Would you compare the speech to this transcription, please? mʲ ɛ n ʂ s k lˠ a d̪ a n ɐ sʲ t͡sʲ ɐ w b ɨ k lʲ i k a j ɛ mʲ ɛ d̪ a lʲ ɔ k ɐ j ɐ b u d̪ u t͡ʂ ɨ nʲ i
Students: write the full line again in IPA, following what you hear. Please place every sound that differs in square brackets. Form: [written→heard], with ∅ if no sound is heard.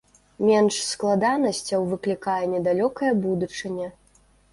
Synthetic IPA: mʲ ɛ n ʂ s k lˠ a d̪ a n ɐ sʲ t͡sʲ ɐ w [b→v] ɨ k lʲ i k a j ɛ [mʲ→nʲ] ɛ d̪ a lʲ ɔ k ɐ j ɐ b u d̪ u t͡ʂ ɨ nʲ [i→ɛ]